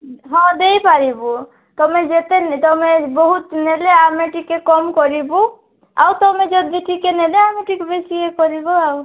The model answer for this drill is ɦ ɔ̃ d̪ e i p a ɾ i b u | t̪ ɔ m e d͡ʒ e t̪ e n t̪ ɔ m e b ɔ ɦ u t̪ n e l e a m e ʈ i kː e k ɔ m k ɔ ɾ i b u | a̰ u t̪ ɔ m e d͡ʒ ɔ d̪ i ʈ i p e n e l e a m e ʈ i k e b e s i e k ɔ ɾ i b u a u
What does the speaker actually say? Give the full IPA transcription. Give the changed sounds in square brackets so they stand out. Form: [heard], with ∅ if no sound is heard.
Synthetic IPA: ɦ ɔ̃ d̪ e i p a ɾ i b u | t̪ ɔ m e d͡ʒ e t̪ e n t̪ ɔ m e b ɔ ɦ u t̪ n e l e a m e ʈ i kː e k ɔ m k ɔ ɾ i b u | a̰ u t̪ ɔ m e d͡ʒ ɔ d̪ i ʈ i [k] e n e l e a m e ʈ i k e b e s i e k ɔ ɾ i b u a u